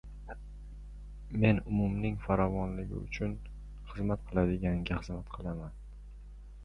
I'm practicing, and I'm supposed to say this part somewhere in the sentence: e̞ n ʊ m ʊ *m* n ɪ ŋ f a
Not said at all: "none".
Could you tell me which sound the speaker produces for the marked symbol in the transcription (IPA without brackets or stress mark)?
m